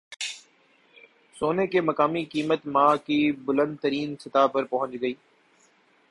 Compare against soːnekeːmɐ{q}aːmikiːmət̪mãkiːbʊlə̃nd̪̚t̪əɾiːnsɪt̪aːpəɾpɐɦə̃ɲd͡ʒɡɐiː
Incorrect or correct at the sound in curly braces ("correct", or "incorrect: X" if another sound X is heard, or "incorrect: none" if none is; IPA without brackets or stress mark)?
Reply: incorrect: k